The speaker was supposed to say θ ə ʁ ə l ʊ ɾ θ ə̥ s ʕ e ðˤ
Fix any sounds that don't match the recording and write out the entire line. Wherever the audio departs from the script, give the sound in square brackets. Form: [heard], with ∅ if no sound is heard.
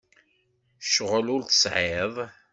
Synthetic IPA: [ʃ] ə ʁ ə l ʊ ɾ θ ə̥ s ʕ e ðˤ